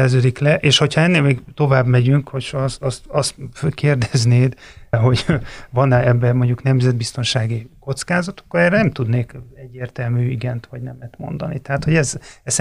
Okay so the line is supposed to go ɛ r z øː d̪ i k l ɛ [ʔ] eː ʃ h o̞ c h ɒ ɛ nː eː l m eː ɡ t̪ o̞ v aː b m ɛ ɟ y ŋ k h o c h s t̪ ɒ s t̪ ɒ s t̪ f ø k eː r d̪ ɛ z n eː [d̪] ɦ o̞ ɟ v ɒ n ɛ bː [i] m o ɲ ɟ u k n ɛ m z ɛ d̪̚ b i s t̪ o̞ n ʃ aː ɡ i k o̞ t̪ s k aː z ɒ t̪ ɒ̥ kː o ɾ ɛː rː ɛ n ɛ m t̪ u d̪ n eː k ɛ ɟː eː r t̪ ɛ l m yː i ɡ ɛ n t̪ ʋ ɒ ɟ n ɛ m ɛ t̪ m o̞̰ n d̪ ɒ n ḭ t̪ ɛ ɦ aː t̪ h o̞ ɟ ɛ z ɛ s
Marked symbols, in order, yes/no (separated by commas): yes, yes, no